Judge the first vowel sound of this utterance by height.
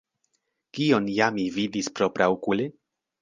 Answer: high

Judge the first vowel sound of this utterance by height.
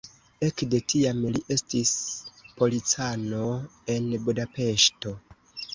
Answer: mid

